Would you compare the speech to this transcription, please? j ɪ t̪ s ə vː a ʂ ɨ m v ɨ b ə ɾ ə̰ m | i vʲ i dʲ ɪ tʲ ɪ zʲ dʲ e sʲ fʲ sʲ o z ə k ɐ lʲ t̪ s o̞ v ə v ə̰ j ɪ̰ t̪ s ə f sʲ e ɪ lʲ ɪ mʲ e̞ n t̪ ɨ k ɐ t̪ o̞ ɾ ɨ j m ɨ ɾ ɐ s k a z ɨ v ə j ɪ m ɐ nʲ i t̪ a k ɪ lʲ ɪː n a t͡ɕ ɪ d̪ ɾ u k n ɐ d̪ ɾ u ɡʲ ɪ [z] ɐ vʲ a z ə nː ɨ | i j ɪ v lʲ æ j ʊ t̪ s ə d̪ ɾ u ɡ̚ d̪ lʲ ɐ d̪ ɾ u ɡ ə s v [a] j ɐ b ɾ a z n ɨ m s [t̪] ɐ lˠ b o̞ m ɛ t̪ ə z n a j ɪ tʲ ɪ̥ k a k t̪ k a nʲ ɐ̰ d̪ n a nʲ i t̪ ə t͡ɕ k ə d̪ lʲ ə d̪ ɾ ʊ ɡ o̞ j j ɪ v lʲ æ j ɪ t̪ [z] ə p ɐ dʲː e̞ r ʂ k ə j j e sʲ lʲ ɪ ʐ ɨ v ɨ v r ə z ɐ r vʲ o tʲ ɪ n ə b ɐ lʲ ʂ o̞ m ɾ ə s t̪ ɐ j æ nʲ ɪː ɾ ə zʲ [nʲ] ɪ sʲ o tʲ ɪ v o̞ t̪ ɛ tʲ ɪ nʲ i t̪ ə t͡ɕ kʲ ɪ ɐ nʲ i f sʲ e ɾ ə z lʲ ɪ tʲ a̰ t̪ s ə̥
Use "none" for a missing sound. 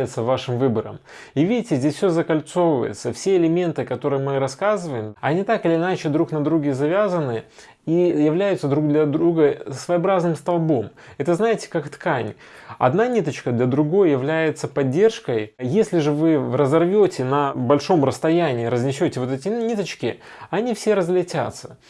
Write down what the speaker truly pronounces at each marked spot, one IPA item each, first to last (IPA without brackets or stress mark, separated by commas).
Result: z, ə, t̪, s, nʲ